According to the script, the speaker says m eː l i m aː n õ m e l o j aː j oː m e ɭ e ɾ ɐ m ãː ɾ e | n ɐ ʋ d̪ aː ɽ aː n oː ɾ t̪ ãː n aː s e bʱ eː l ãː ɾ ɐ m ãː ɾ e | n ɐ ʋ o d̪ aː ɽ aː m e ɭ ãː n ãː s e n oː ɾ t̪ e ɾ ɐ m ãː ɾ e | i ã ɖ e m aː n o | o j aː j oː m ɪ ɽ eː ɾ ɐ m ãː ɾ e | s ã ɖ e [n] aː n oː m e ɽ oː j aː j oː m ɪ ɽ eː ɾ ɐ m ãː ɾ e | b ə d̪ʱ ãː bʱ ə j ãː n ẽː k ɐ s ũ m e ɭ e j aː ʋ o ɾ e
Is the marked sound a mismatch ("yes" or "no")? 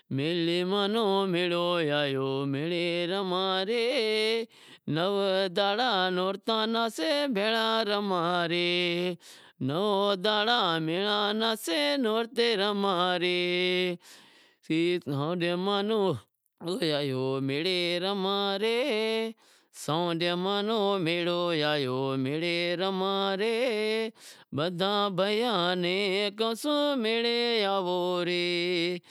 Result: yes